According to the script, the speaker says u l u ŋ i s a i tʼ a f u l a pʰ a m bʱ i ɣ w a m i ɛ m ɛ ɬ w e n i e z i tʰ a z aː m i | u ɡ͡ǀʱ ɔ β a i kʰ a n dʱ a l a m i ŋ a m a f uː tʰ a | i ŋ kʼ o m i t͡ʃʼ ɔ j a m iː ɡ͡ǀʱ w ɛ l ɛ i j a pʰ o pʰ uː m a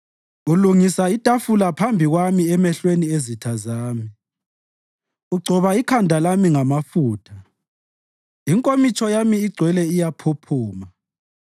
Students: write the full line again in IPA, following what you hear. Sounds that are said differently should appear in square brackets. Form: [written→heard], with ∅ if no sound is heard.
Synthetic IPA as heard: u l u ŋ i s a i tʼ a f u l a pʰ a m bʱ i ɣ w a m i ɛ m ɛ ɬ w e n i e z i tʰ a z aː m i | u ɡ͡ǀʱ ɔ β a i kʰ a n dʱ a l a m i ŋ a m a f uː tʰ a | i ŋ kʼ o m i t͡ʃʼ ɔ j a m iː ɡ͡ǀʱ w ɛ l ɛ i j a pʰ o pʰ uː m a

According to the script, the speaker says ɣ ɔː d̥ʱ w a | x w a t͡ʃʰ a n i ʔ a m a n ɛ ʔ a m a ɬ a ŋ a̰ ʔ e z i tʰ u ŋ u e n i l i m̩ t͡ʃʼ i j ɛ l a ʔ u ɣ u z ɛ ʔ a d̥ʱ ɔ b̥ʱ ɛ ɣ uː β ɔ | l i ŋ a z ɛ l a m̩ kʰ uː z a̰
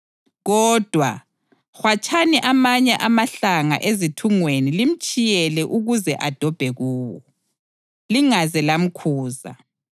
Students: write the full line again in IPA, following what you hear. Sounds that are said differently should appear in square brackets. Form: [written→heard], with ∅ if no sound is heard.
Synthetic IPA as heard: ɣ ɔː d̥ʱ w a | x w a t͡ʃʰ a n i ʔ a m a [n→ɲ] ɛ ʔ a m a ɬ a ŋ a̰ ʔ e z i tʰ u ŋ [u→w] e n i l i m̩ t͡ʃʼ i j ɛ l [a→ɛ] ʔ u ɣ u z ɛ ʔ a d̥ʱ ɔ b̥ʱ ɛ ɣ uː [β→w] ɔ | l i ŋ a z ɛ l a m̩ kʰ uː z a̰

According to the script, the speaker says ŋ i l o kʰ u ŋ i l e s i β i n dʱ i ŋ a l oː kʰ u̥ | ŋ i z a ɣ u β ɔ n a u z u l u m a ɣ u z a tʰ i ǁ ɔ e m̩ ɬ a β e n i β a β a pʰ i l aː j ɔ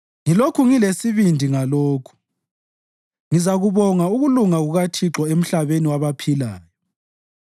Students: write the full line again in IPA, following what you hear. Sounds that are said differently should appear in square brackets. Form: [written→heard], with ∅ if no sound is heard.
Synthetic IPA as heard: ŋ i l o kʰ u ŋ i l e s i β i n dʱ i ŋ a l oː kʰ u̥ | ŋ i z a ɣ u β ɔ [n→ŋ] a u [z→ɣ] u l u [m→ŋ] a ɣ u [z→ɣ] a tʰ i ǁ ɔ e m̩ ɬ a β e n i [β→w] a β a pʰ i l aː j ɔ

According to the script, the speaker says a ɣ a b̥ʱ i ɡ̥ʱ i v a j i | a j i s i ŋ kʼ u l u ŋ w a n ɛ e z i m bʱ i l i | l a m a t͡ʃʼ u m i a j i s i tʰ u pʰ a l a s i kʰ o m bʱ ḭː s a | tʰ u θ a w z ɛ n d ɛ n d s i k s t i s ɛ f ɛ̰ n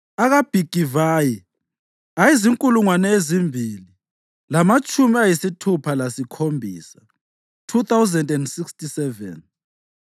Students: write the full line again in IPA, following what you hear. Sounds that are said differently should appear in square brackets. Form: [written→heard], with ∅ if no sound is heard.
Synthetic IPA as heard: a ɣ a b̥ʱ i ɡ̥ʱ i v a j i | a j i [s→z] i ŋ kʼ u l u ŋ w a n ɛ e z i m bʱ i l i | l a m a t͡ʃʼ u m i a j i s i tʰ u pʰ a l a s i kʰ o m bʱ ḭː s a | tʰ u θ a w z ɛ n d ɛ n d s i k s t i s ɛ [f→v] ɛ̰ n

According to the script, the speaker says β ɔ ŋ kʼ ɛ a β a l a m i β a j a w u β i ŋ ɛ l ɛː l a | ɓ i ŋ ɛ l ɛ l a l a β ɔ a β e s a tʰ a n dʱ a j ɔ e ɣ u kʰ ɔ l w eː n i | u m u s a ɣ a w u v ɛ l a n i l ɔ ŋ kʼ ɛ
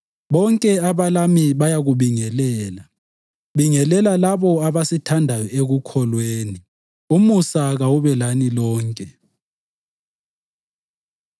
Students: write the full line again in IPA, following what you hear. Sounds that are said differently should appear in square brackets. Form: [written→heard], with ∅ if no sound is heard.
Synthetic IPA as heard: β ɔ ŋ kʼ ɛ a β a l a m i β a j a [w→ɣ] u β i ŋ ɛ l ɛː l a | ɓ i ŋ ɛ l ɛ l a l a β ɔ a β [e→a] s [a→i] tʰ a n dʱ a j ɔ e ɣ u kʰ ɔ l w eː n i | u m u s a ɣ a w u [v→β] ɛ l a n i l [ɔ→ɔː] ŋ kʼ ɛ

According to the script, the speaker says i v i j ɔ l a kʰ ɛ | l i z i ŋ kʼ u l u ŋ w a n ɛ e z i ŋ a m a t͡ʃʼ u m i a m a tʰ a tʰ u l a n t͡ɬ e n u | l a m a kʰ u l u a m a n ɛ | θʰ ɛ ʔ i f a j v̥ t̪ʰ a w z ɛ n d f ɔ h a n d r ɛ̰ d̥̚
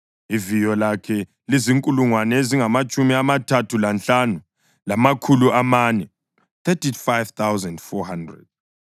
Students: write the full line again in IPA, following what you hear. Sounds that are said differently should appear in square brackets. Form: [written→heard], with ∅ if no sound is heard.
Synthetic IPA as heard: i v i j ɔ l a kʰ ɛ | l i z i ŋ kʼ u l u ŋ w a n ɛ e z i ŋ a m a t͡ʃʼ u m i a m a tʰ a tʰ u l a n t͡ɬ [e→a] n u | l a m a kʰ u l u a m a n ɛ | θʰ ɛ [ʔ→t] i f a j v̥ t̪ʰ a w z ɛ n d f ɔ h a n d r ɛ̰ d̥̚

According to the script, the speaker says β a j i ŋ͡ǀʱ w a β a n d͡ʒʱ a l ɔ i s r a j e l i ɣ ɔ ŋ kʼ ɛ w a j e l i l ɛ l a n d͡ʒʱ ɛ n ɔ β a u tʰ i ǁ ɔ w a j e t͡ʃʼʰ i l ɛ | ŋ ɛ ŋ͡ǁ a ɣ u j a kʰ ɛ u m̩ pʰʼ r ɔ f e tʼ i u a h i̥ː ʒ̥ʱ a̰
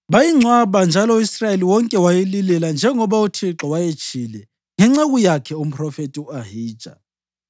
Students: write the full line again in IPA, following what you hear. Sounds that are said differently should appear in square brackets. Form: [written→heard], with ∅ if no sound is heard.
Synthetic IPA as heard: β a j i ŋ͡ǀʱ w a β a n d͡ʒʱ a l ɔ i s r a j e l i [ɣ→w] ɔ ŋ kʼ ɛ w a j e l i l ɛ l a n d͡ʒʱ ɛ [n→ŋ] ɔ β a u tʰ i ǁ ɔ w a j e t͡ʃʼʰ i l ɛ | ŋ ɛ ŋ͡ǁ a ɣ u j a kʰ ɛ u m̩ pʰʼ r ɔ f e tʼ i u a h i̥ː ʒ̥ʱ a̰

